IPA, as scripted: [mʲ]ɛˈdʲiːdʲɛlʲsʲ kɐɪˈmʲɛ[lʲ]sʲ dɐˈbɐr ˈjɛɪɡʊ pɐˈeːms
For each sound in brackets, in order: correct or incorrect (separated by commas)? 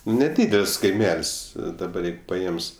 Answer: incorrect, correct